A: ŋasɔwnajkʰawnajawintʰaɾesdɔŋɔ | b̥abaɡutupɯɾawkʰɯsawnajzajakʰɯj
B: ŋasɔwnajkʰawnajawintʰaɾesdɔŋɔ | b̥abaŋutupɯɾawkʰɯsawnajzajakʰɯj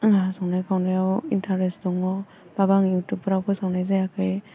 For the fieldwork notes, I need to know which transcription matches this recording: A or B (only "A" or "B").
B